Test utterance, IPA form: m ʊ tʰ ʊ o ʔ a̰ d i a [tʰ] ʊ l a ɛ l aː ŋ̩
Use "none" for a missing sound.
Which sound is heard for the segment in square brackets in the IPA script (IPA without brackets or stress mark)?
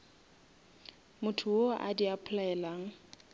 pʰ